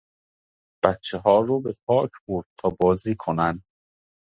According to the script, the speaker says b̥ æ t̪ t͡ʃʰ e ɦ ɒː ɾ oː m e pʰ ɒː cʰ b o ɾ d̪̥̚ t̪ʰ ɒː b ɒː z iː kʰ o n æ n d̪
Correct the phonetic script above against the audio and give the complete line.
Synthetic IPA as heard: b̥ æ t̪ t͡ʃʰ e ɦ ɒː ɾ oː b e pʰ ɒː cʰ b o ɾ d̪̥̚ t̪ʰ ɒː b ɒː z iː kʰ o n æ n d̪